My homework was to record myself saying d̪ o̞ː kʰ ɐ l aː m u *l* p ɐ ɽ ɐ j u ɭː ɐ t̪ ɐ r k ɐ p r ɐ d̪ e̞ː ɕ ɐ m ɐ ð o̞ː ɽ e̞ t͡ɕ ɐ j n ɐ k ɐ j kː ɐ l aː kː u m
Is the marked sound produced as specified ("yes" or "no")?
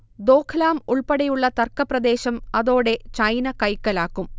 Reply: no